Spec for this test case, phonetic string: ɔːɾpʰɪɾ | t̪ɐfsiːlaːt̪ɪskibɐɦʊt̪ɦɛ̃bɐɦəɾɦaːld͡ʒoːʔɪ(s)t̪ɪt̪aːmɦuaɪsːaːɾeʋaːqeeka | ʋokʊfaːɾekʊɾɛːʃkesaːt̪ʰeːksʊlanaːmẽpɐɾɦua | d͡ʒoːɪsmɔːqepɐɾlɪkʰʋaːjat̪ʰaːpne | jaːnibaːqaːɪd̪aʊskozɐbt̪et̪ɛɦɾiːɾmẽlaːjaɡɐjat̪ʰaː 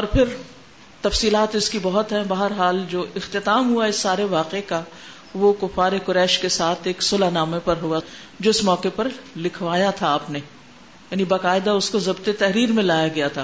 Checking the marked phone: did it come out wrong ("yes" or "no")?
yes